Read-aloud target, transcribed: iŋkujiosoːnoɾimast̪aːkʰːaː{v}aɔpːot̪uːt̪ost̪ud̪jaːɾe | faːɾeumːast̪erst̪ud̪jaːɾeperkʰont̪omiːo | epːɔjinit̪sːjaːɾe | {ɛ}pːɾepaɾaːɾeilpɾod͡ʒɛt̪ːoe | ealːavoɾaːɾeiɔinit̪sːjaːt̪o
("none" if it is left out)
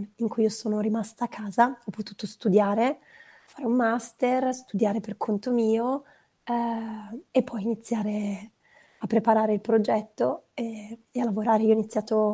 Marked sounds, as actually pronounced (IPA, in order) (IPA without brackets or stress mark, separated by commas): z, a